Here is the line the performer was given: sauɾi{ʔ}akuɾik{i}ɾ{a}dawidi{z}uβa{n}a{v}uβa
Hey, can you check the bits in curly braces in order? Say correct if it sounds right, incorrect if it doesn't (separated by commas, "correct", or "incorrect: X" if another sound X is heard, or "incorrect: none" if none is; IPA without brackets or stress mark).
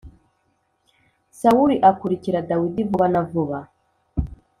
correct, correct, correct, incorrect: v, correct, correct